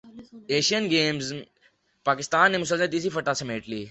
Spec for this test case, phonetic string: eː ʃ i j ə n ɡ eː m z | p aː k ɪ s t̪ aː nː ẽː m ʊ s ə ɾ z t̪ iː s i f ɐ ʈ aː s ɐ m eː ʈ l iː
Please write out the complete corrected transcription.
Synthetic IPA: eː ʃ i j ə n ɡ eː m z | p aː k ɪ s t̪ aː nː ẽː m ʊ s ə l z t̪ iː s i f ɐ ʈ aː s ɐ m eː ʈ l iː